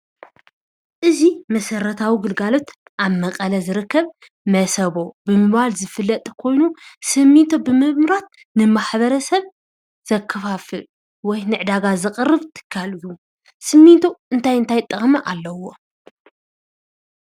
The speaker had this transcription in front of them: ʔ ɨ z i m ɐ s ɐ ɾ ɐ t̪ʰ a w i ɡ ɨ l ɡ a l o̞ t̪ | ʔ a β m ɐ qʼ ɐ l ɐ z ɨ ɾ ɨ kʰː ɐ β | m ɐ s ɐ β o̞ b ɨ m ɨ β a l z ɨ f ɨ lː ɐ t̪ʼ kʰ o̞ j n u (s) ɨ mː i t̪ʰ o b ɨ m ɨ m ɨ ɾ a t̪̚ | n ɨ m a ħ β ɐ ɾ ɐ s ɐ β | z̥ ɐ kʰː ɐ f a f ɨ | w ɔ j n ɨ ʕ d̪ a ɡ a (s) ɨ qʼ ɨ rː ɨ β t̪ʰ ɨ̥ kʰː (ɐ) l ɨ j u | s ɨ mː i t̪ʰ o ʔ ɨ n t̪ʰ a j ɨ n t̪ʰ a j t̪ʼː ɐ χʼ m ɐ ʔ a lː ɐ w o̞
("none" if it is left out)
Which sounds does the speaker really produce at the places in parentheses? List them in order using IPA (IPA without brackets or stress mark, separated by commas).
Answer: s, z, a